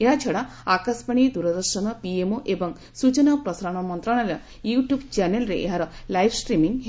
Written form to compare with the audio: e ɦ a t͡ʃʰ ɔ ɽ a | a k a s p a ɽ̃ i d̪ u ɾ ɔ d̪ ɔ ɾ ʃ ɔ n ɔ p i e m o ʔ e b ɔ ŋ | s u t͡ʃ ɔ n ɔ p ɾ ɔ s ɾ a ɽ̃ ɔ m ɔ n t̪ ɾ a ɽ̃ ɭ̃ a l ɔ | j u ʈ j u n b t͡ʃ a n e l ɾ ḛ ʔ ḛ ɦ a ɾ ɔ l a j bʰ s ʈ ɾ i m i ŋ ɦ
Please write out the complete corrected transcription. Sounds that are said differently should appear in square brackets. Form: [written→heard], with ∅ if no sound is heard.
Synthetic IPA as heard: e ɦ a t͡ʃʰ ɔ ɽ a | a k a s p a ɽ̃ i d̪ u ɾ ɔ d̪ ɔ ɾ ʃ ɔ n ɔ p i e m o ʔ e b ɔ ŋ | s u t͡ʃ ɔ n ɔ p ɾ ɔ s ɾ a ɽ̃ ɔ m ɔ n t̪ ɾ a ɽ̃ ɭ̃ a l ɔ | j u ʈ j u [n→∅] b t͡ʃ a n e l ɾ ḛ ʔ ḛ ɦ a ɾ ɔ l a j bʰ s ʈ ɾ i m i ŋ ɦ